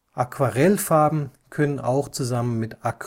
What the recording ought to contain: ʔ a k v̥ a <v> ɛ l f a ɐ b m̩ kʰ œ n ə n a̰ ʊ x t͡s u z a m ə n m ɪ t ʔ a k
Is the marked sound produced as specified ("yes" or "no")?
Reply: no